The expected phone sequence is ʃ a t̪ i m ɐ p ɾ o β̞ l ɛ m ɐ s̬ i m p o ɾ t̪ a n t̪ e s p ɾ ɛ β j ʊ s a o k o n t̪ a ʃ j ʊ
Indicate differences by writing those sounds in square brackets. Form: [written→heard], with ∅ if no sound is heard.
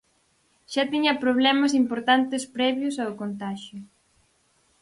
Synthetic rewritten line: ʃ a t̪ i [m→ɲ] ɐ p ɾ o β̞ l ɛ m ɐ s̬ i m p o ɾ t̪ a n t̪ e s p ɾ ɛ β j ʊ s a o k o n t̪ a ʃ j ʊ